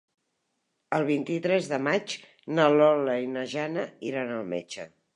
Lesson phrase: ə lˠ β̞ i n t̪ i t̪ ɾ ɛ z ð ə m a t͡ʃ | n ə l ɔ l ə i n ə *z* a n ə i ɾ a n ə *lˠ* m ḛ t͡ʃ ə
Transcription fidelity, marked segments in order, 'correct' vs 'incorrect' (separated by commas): incorrect, correct